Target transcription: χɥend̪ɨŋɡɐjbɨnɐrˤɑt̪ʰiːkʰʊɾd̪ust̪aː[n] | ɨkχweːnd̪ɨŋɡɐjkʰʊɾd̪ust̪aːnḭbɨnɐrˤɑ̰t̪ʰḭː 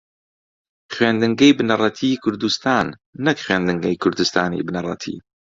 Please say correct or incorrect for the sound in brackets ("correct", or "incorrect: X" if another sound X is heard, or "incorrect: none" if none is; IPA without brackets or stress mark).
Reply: incorrect: nː